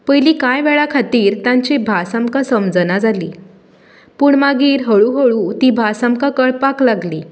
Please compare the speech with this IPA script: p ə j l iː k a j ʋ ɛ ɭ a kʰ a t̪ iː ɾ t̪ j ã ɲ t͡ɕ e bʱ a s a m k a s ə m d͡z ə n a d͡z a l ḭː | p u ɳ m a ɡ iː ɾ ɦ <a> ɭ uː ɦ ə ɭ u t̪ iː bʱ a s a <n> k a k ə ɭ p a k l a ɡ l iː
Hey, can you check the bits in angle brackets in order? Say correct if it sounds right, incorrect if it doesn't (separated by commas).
incorrect, incorrect